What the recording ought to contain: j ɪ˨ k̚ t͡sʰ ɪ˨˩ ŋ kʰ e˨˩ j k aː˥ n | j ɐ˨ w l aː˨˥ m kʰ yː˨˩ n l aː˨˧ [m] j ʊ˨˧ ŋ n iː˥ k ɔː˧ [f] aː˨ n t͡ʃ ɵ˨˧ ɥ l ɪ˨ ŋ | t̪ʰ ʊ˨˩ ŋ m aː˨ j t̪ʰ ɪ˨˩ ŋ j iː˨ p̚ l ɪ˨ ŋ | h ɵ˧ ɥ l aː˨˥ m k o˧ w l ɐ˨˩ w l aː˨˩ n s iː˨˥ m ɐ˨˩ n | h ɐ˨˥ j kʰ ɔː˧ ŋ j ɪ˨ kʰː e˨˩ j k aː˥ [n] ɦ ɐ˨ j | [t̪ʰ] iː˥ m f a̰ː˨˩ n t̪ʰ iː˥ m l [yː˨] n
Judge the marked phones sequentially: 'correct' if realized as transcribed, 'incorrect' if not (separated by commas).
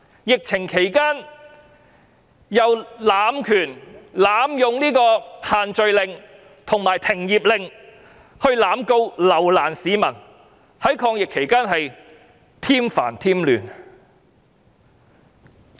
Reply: correct, incorrect, correct, correct, correct